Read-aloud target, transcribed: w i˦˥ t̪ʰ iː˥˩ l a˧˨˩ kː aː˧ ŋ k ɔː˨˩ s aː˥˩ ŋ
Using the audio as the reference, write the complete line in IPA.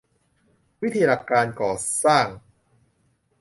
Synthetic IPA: w i˦˥ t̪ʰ iː˧ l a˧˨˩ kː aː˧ n k ɔː˨˩ s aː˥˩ ŋ